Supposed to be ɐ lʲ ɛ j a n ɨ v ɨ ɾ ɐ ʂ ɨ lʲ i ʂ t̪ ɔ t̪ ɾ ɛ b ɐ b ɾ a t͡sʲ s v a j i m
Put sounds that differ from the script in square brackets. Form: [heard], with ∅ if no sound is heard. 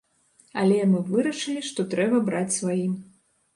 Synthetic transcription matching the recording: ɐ lʲ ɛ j a n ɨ v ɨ ɾ ɐ ʂ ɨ lʲ i ʂ t̪ ɔ t̪ ɾ ɛ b ɐ b ɾ a t͡sʲ s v a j i m